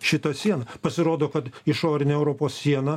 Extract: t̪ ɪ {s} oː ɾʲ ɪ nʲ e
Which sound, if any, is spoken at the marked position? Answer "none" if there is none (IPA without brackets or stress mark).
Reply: ʃ